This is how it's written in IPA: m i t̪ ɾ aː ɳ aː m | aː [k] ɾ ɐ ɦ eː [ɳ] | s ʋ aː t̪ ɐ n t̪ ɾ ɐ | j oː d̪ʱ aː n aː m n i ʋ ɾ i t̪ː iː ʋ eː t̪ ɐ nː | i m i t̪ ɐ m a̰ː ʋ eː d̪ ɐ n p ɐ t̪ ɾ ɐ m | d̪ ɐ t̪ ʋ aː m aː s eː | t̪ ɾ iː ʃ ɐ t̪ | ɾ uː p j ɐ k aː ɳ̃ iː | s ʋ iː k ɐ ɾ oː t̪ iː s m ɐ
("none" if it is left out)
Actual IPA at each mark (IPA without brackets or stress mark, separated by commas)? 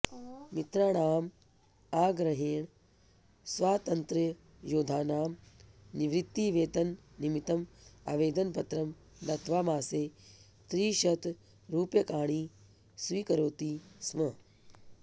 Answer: ɡ, ɳ